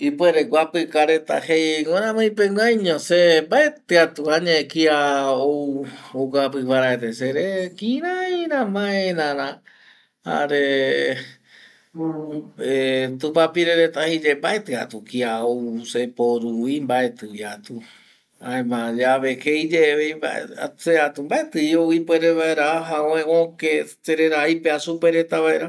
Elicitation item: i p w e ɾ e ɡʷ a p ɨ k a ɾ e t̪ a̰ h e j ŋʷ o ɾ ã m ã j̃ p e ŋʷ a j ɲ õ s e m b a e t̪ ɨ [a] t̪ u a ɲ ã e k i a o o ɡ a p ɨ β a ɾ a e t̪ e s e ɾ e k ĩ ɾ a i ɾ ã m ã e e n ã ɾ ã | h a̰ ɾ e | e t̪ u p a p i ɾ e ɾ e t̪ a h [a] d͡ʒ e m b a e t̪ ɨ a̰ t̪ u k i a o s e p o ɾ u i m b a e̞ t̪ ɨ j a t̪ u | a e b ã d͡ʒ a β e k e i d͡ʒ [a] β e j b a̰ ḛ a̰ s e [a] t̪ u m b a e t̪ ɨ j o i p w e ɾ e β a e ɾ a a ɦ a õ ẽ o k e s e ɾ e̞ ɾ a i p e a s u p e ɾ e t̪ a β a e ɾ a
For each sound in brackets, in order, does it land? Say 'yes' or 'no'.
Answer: yes, no, no, yes

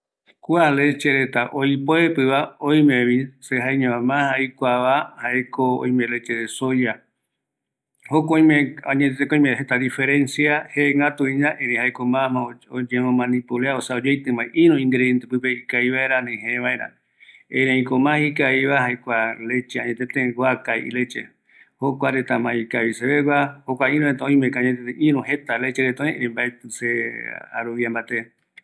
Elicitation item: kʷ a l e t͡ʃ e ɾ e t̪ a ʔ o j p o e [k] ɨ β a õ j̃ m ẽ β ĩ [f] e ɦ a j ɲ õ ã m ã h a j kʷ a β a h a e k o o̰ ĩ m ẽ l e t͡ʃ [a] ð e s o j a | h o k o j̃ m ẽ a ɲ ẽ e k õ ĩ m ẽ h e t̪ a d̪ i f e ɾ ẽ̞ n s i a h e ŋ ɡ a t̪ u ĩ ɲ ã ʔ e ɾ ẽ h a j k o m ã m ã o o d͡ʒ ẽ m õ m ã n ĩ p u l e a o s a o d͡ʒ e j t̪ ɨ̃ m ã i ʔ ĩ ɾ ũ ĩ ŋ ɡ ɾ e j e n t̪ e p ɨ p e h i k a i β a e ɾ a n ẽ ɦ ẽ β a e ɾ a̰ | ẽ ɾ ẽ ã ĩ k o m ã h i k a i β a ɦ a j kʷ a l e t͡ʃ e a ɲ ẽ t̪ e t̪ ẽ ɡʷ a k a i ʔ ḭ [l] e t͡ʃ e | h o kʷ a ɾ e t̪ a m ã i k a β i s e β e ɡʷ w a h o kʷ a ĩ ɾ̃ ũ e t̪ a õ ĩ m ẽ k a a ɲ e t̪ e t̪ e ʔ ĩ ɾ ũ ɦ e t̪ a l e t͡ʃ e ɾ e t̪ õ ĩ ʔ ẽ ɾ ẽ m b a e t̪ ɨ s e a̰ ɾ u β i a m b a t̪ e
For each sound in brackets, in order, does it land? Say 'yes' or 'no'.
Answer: no, no, no, yes

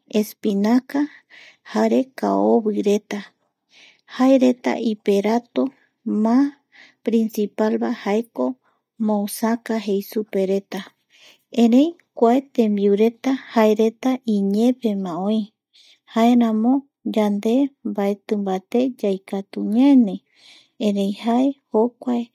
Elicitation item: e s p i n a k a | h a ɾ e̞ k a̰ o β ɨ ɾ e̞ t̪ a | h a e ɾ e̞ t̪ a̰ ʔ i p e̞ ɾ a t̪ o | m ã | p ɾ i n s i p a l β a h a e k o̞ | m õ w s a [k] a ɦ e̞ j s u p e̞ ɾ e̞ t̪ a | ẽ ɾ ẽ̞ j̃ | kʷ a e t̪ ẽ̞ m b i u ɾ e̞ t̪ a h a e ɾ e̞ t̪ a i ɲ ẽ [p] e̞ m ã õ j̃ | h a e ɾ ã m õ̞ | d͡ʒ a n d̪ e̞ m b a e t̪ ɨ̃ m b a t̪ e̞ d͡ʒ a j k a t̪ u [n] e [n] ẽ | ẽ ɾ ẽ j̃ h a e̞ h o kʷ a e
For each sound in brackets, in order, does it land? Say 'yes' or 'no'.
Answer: yes, yes, no, yes

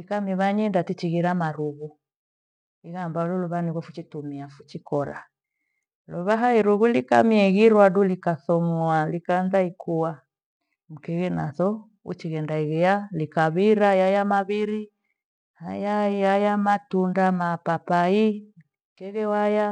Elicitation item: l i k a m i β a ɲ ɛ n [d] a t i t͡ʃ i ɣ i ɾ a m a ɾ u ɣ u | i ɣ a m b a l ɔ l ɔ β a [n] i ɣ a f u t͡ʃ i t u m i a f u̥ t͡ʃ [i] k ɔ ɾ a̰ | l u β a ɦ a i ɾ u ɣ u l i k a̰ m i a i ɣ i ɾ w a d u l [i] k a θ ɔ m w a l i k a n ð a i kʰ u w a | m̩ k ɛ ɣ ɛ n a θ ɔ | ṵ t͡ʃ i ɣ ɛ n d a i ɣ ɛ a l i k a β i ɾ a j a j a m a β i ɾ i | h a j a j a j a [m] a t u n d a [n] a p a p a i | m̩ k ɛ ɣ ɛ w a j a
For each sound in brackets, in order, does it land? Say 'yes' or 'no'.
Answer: yes, yes, yes, yes, yes, no

